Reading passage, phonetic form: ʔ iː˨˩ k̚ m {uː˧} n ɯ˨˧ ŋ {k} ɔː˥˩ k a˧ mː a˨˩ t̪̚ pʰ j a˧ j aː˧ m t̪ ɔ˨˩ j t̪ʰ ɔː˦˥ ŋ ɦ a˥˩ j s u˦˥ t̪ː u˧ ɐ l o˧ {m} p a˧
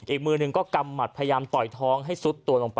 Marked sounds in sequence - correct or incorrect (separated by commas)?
incorrect, correct, incorrect